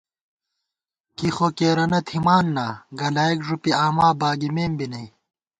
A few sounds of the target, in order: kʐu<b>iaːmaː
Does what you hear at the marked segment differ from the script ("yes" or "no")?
yes